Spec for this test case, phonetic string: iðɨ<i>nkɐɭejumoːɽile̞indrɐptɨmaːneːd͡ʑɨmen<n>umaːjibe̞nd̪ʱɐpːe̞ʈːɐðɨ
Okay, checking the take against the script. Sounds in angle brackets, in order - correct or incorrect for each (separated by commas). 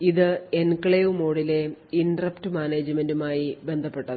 incorrect, incorrect